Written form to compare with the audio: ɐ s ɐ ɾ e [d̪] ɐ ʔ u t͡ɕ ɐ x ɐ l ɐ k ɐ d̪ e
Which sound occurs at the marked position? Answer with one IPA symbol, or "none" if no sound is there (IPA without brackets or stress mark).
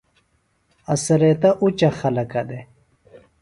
t̪